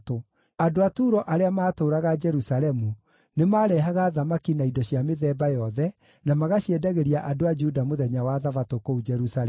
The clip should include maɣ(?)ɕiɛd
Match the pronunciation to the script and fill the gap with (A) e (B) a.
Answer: B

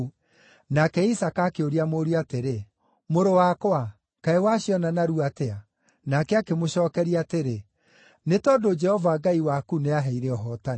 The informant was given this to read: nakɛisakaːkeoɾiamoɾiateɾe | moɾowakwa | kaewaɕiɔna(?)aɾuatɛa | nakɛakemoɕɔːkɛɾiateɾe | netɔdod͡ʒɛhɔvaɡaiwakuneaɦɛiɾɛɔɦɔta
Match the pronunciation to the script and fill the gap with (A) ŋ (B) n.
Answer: B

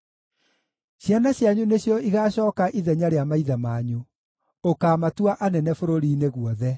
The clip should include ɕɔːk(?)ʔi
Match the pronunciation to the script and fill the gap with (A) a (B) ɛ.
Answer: A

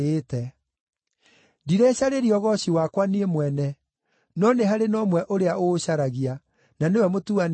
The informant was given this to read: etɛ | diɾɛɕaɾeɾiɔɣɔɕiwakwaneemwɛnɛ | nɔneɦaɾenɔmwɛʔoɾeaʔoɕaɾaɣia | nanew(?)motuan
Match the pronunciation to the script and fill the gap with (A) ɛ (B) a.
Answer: A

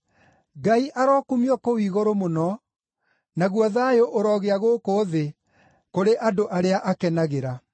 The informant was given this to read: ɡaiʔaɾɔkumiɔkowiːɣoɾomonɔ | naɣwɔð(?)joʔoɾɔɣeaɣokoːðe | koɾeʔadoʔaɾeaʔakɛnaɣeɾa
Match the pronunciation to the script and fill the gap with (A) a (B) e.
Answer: A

